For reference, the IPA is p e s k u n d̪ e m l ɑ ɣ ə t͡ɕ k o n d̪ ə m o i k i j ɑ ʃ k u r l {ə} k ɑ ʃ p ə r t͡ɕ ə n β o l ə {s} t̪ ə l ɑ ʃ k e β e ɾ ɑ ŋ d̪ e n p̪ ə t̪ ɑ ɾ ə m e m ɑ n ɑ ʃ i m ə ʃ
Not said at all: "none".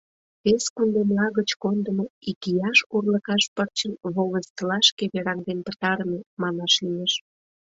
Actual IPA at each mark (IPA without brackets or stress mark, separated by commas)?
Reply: ə, s